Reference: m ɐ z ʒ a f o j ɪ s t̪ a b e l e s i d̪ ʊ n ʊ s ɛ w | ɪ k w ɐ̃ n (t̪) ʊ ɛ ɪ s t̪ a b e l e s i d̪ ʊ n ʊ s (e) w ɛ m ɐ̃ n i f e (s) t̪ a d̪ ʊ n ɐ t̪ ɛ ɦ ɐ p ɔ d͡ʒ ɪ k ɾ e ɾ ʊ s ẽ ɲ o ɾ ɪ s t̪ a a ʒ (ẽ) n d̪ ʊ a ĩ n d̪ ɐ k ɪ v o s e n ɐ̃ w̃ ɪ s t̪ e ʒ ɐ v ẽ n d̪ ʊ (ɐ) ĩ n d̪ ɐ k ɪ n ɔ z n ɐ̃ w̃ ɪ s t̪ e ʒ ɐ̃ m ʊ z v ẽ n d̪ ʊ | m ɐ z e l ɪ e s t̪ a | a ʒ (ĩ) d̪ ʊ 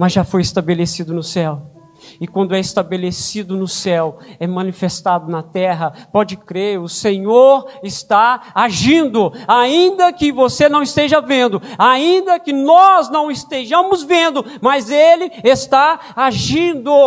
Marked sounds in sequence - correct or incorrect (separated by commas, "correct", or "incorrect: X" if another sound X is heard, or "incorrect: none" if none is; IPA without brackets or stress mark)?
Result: incorrect: d̪, incorrect: ɛ, correct, incorrect: ĩ, incorrect: a, correct